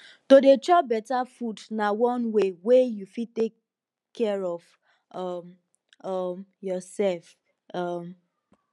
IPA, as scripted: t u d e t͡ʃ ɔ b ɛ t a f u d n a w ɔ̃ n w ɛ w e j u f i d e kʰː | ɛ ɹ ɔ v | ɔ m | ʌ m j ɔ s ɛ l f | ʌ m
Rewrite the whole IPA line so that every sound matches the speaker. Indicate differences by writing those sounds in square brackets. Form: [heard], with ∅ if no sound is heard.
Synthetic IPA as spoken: t [o] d e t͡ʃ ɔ b ɛ t a f u d n a w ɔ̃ n w [e] w e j u f i [t] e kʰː | ɛ ɹ ɔ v | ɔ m | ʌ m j ɔ s ɛ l f | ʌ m